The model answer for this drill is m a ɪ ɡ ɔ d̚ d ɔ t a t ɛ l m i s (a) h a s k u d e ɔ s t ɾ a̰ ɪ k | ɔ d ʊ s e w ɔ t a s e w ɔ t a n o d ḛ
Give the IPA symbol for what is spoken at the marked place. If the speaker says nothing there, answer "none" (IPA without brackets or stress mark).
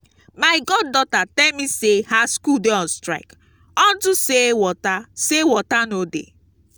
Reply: e